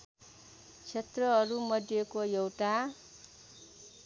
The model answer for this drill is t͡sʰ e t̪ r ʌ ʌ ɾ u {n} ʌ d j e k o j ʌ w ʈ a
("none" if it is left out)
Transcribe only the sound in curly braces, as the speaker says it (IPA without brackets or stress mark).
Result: m